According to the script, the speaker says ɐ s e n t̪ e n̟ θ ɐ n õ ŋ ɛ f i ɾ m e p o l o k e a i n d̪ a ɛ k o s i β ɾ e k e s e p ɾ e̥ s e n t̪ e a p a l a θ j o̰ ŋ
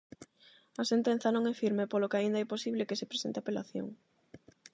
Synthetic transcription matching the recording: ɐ s e n t̪ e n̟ θ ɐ n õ ŋ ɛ f i ɾ m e p o l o k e a i n d̪ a ɛ p o s i β l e k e s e p ɾ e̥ s e n t̪ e a p e l a θ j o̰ ŋ